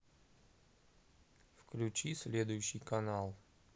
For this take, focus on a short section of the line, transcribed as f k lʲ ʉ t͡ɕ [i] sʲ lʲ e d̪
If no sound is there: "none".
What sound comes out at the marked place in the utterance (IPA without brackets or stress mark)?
i